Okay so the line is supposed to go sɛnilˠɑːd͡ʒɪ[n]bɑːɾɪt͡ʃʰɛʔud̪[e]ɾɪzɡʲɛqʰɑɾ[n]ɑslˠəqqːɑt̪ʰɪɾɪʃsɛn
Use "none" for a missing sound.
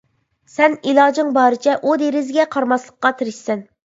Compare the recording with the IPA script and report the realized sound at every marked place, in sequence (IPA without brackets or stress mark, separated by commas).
ŋ, e, m